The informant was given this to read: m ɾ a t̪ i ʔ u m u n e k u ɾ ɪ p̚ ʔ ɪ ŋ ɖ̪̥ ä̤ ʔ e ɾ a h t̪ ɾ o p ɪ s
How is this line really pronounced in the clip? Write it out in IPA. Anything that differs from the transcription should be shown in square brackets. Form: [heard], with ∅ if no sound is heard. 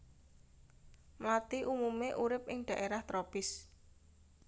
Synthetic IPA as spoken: m [l] a t̪ i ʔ u m u [m] e [ʔ] u ɾ ɪ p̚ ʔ ɪ ŋ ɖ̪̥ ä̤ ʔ e ɾ a h t̪ ɾ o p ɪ s